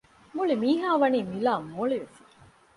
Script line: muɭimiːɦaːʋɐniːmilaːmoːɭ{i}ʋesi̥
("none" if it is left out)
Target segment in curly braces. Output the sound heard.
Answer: i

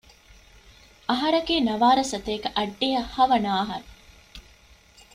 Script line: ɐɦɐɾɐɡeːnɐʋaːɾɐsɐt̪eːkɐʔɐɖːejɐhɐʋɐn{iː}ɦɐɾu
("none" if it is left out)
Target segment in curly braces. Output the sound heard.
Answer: aː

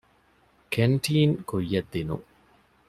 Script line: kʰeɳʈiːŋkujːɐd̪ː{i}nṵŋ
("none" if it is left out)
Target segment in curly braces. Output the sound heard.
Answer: i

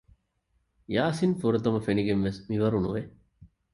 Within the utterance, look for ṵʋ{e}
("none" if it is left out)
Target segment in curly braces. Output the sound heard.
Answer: e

